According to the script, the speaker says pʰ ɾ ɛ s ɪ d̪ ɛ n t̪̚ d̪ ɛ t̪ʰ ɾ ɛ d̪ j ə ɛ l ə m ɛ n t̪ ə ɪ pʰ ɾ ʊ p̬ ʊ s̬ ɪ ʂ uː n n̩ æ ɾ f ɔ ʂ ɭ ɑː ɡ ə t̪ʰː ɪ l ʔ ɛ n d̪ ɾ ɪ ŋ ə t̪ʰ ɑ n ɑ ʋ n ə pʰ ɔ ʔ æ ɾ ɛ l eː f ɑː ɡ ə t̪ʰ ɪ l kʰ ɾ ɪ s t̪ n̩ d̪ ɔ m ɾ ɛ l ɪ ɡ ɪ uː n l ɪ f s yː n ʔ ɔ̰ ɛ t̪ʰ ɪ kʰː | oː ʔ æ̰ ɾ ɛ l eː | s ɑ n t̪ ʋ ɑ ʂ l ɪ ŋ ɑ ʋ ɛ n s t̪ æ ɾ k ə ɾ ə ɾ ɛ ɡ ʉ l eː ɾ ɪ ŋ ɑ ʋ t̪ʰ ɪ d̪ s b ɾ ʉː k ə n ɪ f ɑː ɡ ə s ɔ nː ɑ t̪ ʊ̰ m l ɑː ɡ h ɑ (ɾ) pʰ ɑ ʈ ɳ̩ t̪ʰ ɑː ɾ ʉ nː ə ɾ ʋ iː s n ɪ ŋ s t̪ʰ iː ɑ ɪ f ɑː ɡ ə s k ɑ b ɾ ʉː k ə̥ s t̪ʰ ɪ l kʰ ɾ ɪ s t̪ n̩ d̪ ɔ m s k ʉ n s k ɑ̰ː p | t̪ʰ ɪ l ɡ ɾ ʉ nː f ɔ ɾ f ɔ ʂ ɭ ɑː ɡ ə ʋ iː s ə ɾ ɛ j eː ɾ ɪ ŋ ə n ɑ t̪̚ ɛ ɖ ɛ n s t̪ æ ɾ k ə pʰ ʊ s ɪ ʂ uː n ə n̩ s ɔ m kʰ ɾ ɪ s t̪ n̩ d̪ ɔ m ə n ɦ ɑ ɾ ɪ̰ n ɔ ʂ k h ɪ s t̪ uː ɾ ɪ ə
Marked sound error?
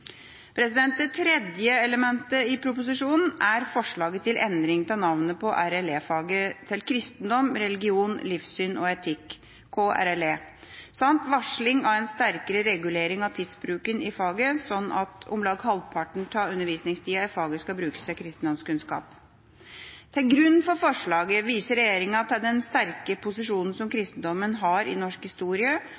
yes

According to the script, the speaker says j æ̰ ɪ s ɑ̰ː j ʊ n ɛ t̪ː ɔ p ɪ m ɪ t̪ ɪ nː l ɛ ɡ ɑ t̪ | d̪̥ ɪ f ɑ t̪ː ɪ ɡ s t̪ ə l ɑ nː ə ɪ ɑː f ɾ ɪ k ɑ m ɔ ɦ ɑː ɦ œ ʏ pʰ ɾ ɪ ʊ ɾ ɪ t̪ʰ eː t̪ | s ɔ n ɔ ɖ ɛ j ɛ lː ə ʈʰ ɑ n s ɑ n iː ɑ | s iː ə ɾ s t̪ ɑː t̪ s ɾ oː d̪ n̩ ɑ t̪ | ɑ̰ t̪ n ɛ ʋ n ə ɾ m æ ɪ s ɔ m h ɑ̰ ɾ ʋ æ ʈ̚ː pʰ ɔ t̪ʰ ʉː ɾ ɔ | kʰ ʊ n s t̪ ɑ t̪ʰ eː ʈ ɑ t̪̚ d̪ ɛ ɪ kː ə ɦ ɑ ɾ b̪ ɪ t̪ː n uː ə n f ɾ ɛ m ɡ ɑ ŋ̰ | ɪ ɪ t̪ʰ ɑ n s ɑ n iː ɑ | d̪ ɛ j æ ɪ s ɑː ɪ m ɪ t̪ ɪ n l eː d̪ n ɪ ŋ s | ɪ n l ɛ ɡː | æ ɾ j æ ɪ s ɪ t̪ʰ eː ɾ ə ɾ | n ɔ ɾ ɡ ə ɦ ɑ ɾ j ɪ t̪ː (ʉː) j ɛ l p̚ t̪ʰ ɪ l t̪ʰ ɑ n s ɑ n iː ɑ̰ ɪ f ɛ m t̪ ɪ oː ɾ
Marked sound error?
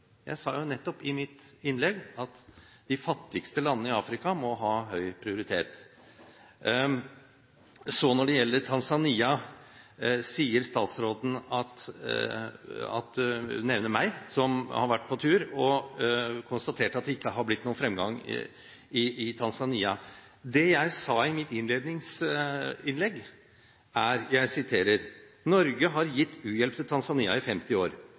no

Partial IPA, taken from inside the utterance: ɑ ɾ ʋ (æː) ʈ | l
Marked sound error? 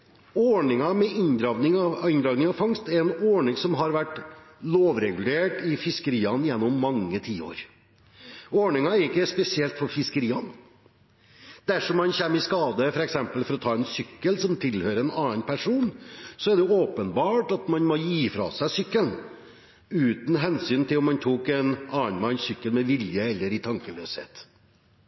yes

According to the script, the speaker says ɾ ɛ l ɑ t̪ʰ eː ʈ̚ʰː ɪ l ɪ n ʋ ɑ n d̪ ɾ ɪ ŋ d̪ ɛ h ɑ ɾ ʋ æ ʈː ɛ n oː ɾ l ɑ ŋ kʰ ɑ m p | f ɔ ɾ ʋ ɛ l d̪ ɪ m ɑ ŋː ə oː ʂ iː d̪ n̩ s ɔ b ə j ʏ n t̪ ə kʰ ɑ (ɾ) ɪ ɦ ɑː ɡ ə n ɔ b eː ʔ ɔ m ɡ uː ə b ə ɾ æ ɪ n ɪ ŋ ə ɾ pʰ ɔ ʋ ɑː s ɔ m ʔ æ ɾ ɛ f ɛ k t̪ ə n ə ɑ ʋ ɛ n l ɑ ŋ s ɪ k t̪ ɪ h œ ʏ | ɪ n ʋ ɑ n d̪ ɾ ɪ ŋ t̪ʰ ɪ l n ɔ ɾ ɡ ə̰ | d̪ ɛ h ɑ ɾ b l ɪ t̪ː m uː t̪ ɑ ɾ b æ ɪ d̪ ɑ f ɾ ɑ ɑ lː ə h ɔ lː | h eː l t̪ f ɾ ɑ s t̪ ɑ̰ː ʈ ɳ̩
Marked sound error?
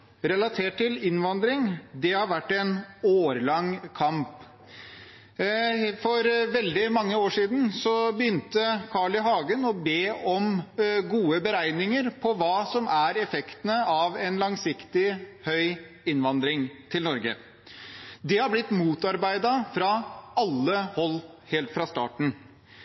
yes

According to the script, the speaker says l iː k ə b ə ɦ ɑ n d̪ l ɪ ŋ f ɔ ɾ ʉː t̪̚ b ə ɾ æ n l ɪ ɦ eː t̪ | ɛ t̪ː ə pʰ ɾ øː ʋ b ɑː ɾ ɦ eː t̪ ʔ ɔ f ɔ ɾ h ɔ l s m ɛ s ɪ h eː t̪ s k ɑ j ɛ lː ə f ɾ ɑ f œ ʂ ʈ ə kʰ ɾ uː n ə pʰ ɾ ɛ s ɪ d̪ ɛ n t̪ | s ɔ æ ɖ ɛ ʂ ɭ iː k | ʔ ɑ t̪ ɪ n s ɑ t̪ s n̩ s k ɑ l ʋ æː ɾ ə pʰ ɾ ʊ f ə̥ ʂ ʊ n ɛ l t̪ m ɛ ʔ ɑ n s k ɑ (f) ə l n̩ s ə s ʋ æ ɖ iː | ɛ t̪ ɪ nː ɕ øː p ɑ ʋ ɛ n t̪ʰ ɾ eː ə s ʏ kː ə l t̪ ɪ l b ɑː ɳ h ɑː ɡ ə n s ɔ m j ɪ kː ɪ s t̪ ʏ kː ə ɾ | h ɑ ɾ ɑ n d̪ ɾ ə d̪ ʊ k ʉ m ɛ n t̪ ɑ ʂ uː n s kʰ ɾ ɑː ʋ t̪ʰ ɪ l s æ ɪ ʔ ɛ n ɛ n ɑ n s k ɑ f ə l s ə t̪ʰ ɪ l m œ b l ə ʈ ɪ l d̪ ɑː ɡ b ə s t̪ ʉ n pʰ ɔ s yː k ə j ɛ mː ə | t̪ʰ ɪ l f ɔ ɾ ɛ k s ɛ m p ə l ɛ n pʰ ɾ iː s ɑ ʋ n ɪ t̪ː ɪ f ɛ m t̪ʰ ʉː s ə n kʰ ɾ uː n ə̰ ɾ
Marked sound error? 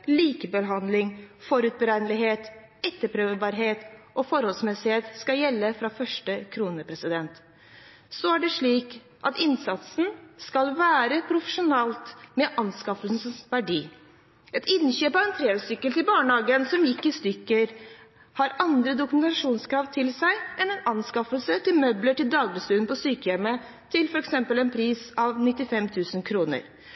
no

